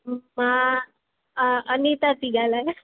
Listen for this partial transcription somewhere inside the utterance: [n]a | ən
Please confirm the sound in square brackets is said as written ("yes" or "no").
no